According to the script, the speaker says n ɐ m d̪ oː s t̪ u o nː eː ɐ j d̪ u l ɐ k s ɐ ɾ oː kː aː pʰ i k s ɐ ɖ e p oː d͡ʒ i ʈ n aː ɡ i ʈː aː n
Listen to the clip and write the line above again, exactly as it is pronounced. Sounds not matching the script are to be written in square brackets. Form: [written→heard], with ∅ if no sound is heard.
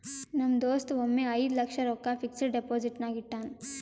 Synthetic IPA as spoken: n ɐ m d̪ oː s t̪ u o [nː→mː] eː ɐ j d̪ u l ɐ k [s→ʂ] ɐ ɾ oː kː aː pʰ i k s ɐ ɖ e p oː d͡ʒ i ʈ n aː ɡ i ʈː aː n

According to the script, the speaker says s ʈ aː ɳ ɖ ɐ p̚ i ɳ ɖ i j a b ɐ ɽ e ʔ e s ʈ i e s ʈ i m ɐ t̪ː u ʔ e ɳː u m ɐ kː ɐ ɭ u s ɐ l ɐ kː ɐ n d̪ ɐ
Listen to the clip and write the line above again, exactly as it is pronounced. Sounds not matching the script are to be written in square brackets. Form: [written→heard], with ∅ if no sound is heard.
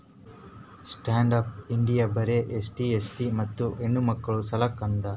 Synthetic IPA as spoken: s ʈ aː ɳ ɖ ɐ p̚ i ɳ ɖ i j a b ɐ [ɽ→ɾ] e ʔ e s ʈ i e s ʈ i m ɐ t̪ː u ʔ e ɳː u m ɐ kː ɐ ɭ u s ɐ l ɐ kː ɐ n d̪ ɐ

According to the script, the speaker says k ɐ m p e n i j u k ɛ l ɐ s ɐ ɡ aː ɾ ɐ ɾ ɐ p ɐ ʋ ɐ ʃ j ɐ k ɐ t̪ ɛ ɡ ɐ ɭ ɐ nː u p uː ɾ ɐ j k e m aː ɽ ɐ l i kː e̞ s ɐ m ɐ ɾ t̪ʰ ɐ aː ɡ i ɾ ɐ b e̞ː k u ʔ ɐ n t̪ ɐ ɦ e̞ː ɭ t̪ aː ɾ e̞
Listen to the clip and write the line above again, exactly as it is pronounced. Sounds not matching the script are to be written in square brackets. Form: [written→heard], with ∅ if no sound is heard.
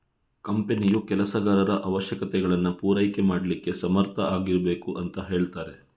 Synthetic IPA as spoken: k ɐ m p e n i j u k ɛ l ɐ s ɐ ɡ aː ɾ ɐ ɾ ɐ [p→ʔ] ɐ ʋ ɐ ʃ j ɐ k ɐ t̪ ɛ ɡ ɐ ɭ ɐ nː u p uː ɾ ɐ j k e m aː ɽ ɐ l i kː e̞ s ɐ m ɐ ɾ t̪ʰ ɐ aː ɡ i ɾ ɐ b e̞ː k u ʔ ɐ n t̪ ɐ ɦ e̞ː ɭ t̪ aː ɾ e̞

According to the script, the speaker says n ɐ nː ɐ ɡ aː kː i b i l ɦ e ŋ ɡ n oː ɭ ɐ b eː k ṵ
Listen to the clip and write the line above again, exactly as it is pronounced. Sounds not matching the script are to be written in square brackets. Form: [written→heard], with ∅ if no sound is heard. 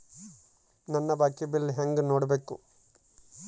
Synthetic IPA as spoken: n ɐ nː ɐ [ɡ→b] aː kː i b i l ɦ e ŋ ɡ n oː [ɭ→ɽ] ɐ b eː k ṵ

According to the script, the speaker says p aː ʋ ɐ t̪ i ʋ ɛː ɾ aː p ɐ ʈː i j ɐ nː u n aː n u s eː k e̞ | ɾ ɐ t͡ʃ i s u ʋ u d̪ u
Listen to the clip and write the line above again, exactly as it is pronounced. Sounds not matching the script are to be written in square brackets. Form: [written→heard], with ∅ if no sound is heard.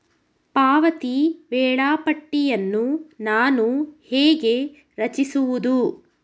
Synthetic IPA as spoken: p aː ʋ ɐ t̪ i ʋ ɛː [ɾ→ɭ] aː p ɐ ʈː i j ɐ nː u n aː n u [s→h] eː [k→ɡ] e̞ | ɾ ɐ t͡ʃ i s u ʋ u d̪ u

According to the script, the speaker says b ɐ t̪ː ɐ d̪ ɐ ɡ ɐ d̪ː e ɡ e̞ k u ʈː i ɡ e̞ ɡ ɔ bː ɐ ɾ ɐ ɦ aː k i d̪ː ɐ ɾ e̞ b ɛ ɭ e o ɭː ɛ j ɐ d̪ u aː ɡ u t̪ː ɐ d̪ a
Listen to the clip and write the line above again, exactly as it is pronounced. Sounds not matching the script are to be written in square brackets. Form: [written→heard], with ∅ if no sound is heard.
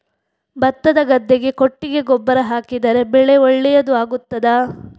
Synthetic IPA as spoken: b ɐ t̪ː ɐ d̪ ɐ ɡ ɐ d̪ː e ɡ e̞ k [u→o] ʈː i ɡ e̞ ɡ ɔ bː ɐ ɾ ɐ ɦ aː k i [d̪ː→d̪] ɐ ɾ e̞ b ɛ ɭ e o ɭː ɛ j ɐ d̪ u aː ɡ u t̪ː ɐ d̪ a

